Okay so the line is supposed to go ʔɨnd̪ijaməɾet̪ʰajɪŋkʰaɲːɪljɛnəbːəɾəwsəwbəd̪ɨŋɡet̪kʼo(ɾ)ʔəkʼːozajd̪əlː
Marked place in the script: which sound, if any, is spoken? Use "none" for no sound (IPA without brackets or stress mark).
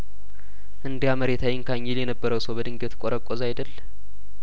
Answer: ɾ